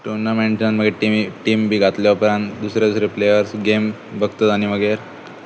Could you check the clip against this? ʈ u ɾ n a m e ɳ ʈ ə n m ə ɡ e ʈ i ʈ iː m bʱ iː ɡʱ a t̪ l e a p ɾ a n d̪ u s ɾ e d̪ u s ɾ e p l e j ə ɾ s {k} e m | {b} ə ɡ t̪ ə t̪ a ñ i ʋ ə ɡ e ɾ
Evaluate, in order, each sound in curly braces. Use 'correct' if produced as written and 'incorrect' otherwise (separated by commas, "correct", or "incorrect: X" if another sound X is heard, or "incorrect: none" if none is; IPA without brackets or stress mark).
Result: incorrect: ɡ, correct